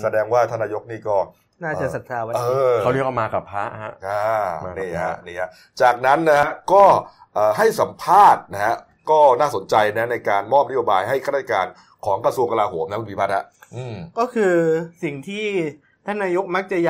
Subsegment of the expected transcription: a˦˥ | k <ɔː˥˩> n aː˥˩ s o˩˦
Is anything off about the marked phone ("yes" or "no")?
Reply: no